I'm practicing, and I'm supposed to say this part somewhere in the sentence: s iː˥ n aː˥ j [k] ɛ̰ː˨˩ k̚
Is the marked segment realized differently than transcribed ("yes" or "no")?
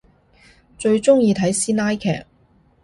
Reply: yes